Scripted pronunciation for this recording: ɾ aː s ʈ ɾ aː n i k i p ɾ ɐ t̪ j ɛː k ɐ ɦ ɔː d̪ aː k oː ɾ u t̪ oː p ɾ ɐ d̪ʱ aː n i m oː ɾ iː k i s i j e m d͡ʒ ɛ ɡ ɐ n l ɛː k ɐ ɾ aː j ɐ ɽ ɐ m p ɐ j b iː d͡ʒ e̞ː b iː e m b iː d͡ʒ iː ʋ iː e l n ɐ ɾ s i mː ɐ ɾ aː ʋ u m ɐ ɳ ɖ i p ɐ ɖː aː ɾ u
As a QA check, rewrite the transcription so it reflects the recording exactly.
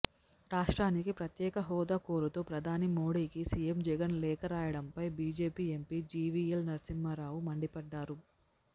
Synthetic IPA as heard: ɾ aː ʂ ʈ ɾ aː n i k i p ɾ ɐ t̪ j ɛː k ɐ ɦ ɔː d̪ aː k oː ɾ u t̪ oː p ɾ ɐ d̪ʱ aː n i m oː ɽ iː k i s i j e m d͡ʒ ɛ ɡ ɐ n l ɛː k ɐ ɾ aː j ɐ ɽ ɐ m p ɐ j b iː d͡ʒ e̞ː p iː e m p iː d͡ʒ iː ʋ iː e l n ɐ ɾ s i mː ɐ ɾ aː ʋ u m ɐ ɳ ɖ i p ɐ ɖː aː ɾ u